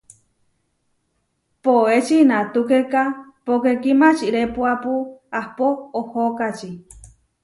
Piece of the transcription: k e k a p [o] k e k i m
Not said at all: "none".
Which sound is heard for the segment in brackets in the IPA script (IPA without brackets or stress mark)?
o